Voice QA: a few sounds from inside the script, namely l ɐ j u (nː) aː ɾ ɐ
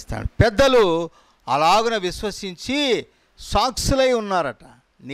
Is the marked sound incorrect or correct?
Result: correct